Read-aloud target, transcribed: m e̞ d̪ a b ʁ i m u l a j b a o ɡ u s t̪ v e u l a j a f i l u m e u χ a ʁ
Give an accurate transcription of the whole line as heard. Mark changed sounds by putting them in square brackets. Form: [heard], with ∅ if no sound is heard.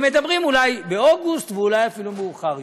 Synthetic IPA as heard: m e̞ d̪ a b ʁ i m u l a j b [e] o ɡ u s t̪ v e u l a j a f i l u m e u χ a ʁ

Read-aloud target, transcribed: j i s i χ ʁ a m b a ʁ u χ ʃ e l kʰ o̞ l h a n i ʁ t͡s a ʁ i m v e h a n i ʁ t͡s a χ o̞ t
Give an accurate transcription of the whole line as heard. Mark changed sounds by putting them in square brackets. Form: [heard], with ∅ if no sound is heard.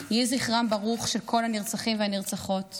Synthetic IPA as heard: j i [z] i χ ʁ a m b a ʁ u χ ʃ e l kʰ o̞ l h a n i ʁ t͡s a [χ] i m v e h a n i ʁ t͡s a χ o̞ t

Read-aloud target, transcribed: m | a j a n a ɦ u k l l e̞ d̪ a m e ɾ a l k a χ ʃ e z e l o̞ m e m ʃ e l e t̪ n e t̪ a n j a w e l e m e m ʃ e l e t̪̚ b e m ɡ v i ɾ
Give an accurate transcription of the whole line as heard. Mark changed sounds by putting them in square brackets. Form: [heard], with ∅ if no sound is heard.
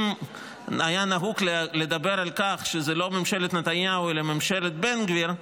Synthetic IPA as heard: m | a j a n a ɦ u k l l e̞ d̪ a [b] e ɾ a l k a χ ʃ e z e l o̞ m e m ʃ e l e t̪ n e t̪ a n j a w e l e m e m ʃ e l e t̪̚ b e [n] ɡ v i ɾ

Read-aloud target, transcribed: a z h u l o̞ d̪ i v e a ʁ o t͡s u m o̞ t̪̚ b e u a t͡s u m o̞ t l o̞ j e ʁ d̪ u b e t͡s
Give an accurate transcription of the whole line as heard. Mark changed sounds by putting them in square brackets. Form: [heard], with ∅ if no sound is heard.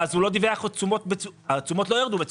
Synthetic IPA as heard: a z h u l o̞ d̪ i v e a [χ] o t͡s u m o̞ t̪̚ b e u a t͡s u m o̞ t l o̞ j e ʁ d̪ u b e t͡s

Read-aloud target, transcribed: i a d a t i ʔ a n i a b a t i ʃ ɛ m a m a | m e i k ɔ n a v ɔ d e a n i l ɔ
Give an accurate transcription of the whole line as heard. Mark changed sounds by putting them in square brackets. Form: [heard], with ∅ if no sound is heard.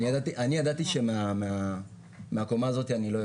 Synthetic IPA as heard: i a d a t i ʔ a n i a [d] a t i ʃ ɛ m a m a | m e [a] k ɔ [m] a [z] ɔ [t] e a n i l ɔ

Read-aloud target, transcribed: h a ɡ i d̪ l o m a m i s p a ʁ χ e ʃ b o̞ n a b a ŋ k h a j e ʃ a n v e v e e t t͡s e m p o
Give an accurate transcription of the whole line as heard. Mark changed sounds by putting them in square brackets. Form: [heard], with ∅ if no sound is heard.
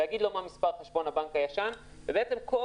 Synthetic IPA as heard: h a ɡ i d̪ l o m a m i s p a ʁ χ e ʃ b o̞ n a b a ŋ k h a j [a] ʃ a n v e [b] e e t t͡s e m [k] o

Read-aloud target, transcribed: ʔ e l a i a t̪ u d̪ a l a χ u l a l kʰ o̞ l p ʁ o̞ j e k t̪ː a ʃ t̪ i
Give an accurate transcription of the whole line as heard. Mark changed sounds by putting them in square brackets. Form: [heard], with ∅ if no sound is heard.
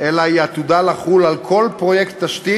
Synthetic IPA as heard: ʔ e l a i a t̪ u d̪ a l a χ u l a l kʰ o̞ l p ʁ o̞ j e k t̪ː a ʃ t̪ i

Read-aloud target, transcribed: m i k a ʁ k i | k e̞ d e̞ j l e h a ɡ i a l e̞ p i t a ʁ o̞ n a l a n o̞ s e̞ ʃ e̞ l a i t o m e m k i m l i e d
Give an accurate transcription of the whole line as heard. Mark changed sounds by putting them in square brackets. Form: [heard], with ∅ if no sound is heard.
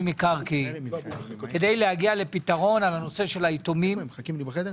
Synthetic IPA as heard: m i k a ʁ k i | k e̞ d e̞ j l e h a ɡ i a l e̞ p i t a ʁ o̞ n a l a n o̞ s e̞ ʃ e̞ l a i t o m [i] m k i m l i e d

